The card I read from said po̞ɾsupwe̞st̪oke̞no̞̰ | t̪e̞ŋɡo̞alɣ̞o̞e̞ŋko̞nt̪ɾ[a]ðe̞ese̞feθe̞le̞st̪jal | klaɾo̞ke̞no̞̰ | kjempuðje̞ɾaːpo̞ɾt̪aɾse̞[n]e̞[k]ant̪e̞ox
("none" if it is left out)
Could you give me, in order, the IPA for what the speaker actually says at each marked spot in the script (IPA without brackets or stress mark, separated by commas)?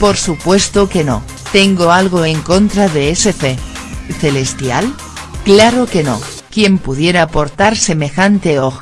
a, m, x